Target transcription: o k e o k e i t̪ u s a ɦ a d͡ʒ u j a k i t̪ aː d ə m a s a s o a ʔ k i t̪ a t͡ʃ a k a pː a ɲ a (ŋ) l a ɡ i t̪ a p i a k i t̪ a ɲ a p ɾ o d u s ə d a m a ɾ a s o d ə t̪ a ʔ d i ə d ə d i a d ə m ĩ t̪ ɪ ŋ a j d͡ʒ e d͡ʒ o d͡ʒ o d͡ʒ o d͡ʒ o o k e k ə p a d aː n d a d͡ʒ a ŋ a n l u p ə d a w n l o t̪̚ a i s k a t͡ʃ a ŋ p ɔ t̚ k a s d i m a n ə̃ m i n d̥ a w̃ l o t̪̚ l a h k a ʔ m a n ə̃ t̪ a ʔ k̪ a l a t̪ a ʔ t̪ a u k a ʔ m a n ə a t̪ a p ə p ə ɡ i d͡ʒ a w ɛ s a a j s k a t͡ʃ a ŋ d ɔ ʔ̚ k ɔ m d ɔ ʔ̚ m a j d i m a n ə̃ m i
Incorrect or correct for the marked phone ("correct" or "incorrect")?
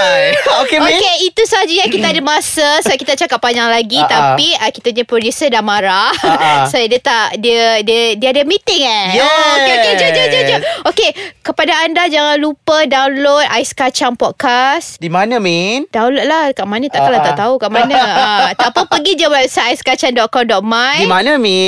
correct